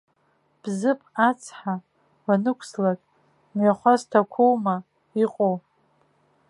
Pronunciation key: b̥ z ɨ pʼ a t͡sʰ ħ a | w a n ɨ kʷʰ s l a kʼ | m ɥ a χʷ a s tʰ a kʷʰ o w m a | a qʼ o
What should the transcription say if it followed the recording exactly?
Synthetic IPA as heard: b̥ z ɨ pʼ a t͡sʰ ħ a | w a n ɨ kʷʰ s l a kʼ | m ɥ a χʷ a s tʰ a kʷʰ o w m a | i qʼ o